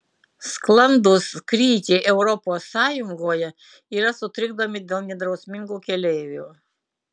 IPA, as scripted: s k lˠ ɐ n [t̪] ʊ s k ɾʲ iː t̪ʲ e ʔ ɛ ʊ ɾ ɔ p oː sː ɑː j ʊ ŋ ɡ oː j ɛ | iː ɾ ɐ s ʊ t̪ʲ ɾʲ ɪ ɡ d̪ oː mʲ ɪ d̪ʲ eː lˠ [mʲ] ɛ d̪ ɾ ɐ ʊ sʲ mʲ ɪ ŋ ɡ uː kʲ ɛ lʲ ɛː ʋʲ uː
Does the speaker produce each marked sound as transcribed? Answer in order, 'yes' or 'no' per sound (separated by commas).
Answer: no, no